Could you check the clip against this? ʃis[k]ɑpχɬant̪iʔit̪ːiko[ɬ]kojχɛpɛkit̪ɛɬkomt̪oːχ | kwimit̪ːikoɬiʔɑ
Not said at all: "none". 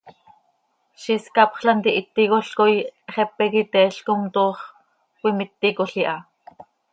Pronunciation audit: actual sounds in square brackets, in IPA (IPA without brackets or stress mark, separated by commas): k, ɬ